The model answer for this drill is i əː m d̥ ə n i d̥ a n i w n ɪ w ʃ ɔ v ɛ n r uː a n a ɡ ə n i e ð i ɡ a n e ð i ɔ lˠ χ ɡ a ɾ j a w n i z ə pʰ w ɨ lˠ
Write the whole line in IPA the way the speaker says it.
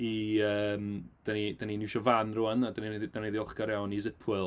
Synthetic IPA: i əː m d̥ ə n i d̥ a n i n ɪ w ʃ ɔ v a n r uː a n a d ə n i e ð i d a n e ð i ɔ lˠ χ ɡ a ɾ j a w n i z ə pʰ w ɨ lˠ